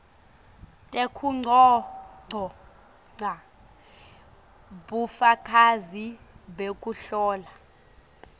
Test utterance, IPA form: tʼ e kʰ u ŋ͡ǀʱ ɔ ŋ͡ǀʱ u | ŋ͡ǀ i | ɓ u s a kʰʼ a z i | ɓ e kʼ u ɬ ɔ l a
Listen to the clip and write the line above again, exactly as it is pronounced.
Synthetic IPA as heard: tʼ e kʰ u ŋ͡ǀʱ ɔ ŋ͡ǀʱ ɔ | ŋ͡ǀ a | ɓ u f a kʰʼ a z i | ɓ e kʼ u ɬ ɔː l a